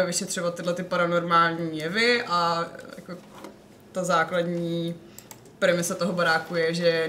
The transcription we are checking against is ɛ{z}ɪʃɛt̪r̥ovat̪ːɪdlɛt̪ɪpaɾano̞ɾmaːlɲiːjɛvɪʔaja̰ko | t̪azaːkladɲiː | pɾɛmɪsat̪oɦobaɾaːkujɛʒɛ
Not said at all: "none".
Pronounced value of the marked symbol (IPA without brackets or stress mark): v